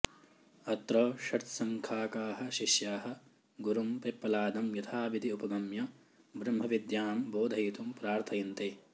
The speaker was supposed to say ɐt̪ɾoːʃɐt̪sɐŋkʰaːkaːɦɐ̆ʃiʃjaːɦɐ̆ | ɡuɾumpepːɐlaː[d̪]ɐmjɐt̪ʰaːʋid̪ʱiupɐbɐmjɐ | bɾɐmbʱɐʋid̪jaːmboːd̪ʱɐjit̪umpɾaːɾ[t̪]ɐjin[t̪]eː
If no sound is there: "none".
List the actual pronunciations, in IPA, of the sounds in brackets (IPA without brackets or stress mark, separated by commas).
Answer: d̪, t̪ʰ, t̪